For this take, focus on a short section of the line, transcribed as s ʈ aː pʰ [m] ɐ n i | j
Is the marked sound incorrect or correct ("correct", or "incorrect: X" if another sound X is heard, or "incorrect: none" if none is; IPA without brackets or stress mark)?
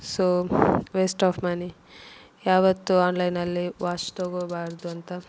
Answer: correct